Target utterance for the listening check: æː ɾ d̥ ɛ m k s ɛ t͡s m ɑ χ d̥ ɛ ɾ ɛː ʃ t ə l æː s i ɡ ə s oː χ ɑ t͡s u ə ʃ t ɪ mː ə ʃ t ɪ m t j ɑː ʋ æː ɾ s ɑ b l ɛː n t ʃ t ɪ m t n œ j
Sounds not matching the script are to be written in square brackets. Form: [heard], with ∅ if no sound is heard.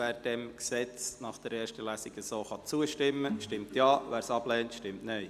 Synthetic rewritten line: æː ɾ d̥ ɛ m k s ɛ t͡s [n] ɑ χ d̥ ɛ ɾ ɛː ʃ t ə l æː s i ɡ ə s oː χ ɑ t͡s u ə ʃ t ɪ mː ə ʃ t ɪ m t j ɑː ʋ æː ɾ s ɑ b l ɛː n t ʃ t ɪ m t n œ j